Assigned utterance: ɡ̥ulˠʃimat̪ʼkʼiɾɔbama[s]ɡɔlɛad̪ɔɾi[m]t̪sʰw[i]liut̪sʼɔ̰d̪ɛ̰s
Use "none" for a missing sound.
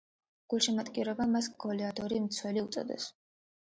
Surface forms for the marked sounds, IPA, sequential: s, m, ɛ

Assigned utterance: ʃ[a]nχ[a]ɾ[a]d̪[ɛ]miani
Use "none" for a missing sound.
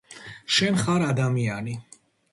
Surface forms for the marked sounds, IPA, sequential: ɛ, a, a, a

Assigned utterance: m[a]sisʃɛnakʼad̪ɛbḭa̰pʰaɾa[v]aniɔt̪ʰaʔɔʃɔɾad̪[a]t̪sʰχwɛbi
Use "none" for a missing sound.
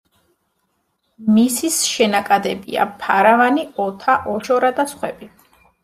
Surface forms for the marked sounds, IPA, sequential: i, v, a

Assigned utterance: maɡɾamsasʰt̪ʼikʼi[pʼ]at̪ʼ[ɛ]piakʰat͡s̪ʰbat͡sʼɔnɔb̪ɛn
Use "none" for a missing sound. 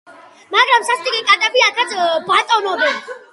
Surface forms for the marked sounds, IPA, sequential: kʼ, a

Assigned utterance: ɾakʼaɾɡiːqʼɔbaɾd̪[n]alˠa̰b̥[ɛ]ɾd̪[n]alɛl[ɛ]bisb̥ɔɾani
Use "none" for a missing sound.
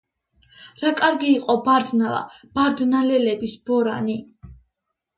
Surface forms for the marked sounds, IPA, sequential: n, a, n, ɛ

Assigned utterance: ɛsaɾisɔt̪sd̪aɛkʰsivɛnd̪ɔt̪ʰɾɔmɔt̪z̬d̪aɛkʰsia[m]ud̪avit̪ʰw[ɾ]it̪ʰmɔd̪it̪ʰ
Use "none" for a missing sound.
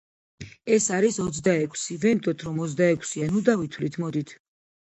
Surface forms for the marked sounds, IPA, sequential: n, l

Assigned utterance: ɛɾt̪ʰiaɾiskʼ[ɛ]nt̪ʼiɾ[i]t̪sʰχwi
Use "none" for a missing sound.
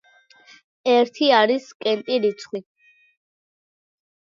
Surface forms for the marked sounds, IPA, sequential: ɛ, i

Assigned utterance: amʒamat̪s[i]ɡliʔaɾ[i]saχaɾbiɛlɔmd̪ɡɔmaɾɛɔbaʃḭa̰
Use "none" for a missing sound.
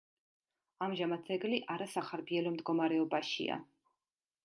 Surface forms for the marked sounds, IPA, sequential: ɛ, a

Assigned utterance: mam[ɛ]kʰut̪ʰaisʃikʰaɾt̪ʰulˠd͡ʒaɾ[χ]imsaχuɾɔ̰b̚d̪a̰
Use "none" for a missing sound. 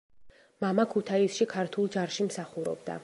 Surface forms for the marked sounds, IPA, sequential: a, ʃ

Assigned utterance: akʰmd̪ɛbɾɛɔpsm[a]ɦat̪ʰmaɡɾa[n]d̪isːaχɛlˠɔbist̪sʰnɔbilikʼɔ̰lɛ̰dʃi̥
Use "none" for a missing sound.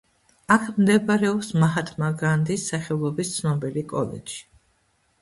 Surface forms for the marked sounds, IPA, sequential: a, n

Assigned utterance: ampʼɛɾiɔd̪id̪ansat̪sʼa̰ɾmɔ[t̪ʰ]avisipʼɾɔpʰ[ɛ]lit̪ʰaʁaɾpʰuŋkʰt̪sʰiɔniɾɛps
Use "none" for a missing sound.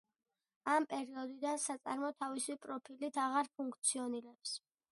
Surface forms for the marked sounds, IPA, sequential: t̪ʰ, i

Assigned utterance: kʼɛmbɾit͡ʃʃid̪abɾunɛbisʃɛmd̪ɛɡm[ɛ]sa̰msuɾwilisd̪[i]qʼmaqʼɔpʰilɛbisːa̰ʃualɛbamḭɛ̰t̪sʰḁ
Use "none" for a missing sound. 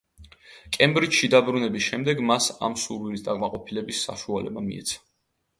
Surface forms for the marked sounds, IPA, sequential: a, a

